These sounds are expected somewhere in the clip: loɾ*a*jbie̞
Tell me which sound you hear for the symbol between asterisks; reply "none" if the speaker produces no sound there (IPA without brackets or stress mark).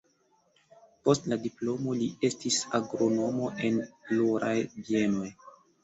a